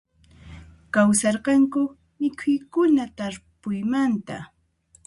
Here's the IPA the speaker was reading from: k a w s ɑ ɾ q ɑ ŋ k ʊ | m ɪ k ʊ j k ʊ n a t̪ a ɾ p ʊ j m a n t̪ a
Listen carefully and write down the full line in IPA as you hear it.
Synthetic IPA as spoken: k a w s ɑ ɾ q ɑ ŋ k ʊ | m ɪ kʰ ʊ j k ʊ n a t̪ a ɾ p ʊ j m a n t̪ a